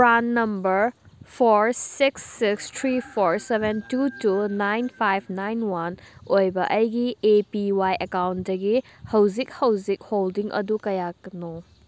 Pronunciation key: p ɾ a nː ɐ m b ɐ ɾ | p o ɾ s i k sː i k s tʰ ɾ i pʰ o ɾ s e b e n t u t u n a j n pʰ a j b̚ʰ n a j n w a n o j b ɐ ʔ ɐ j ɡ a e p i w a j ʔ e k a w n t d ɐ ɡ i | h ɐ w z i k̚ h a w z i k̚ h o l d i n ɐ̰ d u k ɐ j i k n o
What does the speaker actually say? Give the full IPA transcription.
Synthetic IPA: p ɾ a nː ɐ m b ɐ ɾ | pʰ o ɾ s i k sː i k s tʰ ɾ i pʰ o ɾ s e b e n t u t u n a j n pʰ a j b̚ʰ n a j n w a n o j b ɐ ʔ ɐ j ɡ i e p i w a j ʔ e k a w n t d ɐ ɡ i | h ɐ w z i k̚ h ɐ w z i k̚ h o l d i ŋ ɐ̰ d u k ɐ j a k n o